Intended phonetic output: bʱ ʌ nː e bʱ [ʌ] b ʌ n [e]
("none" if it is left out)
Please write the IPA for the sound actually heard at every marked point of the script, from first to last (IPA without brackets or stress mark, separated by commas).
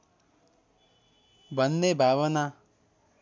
a, a